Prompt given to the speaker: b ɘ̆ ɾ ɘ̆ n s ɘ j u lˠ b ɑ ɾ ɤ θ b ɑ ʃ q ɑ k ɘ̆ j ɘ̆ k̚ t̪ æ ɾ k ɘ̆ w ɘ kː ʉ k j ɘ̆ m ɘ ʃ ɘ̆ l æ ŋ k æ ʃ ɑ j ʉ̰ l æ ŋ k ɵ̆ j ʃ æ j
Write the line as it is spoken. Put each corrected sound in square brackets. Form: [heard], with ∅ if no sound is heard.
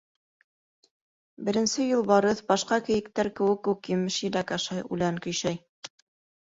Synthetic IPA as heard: b ɘ̆ ɾ ɘ̆ n s ɘ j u lˠ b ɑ ɾ ɤ θ b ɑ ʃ q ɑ k ɘ̆ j ɘ̆ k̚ t̪ æ ɾ k ɘ̆ w ɘ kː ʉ k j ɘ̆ m ɘ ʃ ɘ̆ l æ [∅] k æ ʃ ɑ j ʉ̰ l æ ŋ k ɵ̆ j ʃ æ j

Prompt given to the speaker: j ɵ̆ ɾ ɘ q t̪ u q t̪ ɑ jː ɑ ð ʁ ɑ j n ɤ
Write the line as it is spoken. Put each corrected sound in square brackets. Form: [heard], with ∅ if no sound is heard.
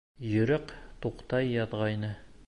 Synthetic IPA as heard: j ɵ̆ ɾ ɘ q t̪ u q t̪ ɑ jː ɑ ð ʁ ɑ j n ɤ

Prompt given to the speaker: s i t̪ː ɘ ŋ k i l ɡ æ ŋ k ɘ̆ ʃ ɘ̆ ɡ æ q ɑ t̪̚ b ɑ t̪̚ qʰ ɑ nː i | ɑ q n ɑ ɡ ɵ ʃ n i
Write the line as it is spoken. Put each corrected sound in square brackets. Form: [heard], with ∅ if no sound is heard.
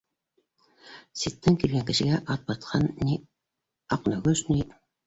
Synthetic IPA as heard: s i t̪ː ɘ ŋ k i l ɡ æ ŋ k ɘ̆ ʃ ɘ̆ ɡ æ [ʔ] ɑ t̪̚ b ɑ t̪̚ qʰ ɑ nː i | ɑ q n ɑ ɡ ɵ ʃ n i

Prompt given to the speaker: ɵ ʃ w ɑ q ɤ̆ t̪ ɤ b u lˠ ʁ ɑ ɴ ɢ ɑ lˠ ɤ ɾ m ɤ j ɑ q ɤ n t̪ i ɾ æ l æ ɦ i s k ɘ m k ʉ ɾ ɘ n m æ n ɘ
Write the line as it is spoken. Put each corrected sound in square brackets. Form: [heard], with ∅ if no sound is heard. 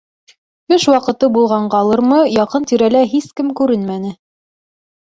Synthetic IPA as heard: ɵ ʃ w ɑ q ɤ̆ t̪ ɤ b u lˠ ʁ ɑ ɴ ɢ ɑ lˠ ɤ ɾ m ɤ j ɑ q ɤ n t̪ i ɾ æ l æ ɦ i s k ɘ m k ʉ ɾ ɘ n m æ n ɘ

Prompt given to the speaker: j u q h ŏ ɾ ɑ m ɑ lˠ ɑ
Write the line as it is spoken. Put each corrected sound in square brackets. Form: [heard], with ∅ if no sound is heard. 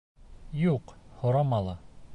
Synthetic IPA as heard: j u q h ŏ ɾ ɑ m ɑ lˠ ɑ

